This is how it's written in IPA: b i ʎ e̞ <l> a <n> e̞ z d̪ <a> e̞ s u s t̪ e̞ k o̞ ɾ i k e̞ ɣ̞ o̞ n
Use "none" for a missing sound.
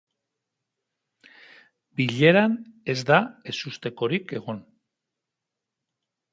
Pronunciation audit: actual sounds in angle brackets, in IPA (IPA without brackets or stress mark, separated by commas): ɾ, n, a